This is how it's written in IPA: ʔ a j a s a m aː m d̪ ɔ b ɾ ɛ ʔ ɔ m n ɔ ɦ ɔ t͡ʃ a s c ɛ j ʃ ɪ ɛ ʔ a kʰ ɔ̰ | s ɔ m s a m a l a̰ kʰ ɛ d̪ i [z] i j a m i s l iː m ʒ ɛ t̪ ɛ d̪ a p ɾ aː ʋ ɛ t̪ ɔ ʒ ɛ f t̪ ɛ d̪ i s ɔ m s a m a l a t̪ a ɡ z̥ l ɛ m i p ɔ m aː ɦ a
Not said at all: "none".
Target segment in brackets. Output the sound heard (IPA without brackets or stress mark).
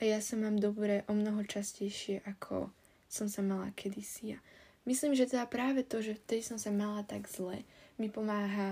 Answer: s